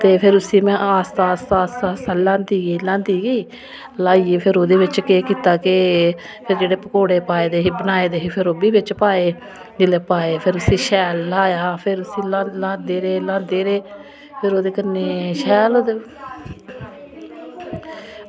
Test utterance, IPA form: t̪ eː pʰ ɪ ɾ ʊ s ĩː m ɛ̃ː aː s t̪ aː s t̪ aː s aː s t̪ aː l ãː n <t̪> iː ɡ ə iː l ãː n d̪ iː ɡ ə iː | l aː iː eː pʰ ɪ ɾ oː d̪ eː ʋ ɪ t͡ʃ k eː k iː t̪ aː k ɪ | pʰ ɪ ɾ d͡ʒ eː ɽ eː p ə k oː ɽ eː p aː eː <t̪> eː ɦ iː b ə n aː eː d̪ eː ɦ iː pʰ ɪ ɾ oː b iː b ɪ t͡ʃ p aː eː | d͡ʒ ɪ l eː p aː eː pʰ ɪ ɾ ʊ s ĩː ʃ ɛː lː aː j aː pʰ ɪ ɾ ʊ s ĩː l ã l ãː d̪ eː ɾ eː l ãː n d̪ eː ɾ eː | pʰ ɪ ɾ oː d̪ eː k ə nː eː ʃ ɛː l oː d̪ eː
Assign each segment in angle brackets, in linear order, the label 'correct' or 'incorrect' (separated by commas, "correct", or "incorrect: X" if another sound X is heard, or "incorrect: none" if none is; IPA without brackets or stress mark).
incorrect: d̪, incorrect: d̪